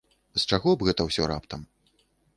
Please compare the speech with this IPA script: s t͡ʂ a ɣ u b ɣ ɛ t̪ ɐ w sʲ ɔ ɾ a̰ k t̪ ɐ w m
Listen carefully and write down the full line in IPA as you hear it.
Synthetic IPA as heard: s t͡ʂ a ɣ ɔ b ɣ ɛ t̪ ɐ w sʲ ɔ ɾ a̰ p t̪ ɐ m